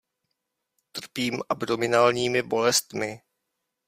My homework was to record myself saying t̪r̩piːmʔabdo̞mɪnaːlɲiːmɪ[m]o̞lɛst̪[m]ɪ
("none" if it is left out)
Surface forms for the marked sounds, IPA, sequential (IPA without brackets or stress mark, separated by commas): b, m